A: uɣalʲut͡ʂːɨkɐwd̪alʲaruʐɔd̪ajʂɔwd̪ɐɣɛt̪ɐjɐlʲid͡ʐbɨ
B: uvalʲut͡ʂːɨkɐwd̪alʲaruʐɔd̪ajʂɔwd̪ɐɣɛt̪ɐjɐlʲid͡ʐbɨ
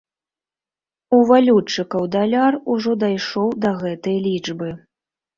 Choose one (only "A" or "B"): B